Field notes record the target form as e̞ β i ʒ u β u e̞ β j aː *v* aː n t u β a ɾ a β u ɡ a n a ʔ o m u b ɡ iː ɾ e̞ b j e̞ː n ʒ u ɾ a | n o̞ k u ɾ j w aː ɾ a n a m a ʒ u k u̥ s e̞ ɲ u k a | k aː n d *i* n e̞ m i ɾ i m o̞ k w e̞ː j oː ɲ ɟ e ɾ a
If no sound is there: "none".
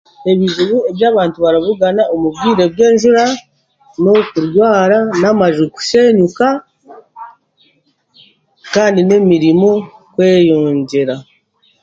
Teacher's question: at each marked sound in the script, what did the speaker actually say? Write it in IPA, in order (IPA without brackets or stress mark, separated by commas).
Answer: β, i